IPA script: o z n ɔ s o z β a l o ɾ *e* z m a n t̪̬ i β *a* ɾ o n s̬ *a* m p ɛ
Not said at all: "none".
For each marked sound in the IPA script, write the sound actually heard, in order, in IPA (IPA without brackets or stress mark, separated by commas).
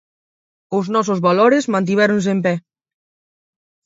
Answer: e, ɛ, e